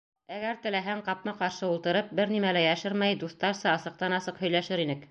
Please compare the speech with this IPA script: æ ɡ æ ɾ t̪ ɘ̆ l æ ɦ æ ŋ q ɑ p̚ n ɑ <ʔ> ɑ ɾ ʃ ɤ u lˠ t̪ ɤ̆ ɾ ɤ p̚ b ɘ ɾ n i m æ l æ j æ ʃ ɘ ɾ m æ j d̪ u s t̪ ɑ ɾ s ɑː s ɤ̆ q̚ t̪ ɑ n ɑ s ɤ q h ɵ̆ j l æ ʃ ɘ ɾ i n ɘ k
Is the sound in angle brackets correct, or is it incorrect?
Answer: incorrect